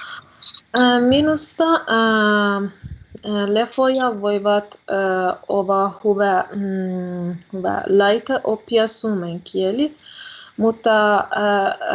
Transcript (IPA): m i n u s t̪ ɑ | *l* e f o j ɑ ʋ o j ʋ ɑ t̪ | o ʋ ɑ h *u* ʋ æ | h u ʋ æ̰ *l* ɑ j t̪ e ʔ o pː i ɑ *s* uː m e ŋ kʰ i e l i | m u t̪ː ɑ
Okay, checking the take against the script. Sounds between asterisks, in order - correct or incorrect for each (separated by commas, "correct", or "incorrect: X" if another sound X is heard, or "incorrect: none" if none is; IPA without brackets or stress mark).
correct, correct, correct, correct